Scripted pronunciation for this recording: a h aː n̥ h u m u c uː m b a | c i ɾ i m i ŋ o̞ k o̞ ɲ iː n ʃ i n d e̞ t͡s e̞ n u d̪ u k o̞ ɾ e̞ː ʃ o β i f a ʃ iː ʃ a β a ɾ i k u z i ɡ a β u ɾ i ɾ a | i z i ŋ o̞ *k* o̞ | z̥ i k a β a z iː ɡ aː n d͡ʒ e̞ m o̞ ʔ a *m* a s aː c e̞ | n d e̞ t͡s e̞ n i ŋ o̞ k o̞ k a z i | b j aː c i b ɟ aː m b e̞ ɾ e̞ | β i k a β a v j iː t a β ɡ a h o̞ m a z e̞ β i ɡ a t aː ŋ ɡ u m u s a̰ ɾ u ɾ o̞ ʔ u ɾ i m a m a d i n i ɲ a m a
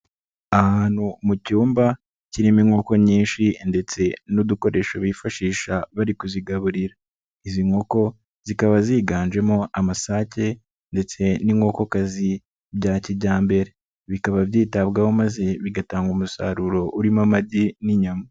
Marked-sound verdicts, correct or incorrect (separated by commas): correct, correct